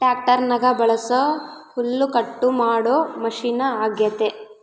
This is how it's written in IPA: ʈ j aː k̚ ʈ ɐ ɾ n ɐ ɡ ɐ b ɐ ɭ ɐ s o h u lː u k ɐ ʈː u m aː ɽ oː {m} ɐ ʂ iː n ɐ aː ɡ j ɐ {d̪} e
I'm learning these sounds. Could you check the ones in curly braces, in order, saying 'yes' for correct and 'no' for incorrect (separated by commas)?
yes, no